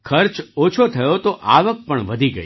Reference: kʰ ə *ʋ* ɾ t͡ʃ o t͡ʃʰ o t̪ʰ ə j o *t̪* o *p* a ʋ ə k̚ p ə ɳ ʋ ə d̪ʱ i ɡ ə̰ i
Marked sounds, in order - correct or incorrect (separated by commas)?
incorrect, correct, incorrect